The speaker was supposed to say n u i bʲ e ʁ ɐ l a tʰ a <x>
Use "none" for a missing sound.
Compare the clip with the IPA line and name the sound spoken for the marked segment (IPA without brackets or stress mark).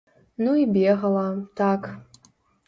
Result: k